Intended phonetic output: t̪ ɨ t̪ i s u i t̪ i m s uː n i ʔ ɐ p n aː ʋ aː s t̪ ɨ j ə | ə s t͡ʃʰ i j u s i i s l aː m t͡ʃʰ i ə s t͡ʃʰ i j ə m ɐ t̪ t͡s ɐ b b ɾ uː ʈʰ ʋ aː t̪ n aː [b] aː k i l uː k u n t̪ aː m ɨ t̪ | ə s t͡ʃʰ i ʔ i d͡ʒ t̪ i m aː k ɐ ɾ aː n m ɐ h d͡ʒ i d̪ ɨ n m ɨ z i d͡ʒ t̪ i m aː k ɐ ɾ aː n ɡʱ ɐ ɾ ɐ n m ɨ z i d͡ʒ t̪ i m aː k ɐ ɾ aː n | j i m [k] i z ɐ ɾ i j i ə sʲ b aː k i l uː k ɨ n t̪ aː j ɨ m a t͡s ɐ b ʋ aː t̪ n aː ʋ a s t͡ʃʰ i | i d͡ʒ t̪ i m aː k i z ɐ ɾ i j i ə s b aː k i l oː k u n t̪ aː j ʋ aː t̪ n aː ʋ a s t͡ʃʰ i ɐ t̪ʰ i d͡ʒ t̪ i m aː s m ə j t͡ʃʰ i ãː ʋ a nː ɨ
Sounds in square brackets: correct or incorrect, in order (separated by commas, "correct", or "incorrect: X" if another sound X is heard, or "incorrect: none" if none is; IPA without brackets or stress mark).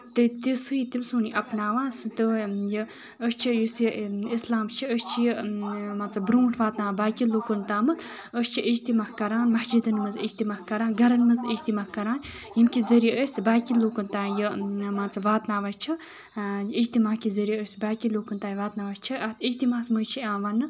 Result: correct, correct